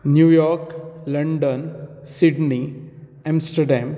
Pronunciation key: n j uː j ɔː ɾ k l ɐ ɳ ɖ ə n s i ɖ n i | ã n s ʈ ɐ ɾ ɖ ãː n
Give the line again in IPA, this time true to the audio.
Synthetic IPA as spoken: n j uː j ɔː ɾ k l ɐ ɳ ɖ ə n s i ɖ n i | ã m s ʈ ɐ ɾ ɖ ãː m